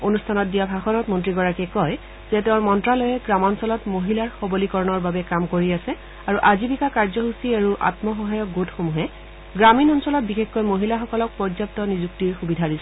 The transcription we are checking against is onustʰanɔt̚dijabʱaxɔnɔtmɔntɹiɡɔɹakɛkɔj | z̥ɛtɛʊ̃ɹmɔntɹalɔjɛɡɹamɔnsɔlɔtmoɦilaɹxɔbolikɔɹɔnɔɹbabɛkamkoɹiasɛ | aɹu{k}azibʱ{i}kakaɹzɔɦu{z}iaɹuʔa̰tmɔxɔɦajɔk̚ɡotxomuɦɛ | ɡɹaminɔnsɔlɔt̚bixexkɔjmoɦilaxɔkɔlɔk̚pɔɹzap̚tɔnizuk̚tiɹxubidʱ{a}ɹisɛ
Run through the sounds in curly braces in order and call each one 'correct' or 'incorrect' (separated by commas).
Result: incorrect, correct, incorrect, correct